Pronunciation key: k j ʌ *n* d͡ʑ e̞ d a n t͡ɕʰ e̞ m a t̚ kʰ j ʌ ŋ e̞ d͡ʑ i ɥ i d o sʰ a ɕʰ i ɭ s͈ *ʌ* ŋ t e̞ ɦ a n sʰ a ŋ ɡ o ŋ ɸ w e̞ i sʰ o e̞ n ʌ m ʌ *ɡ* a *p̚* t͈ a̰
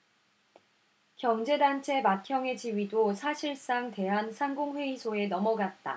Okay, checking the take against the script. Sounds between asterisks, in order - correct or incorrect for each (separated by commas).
incorrect, incorrect, correct, incorrect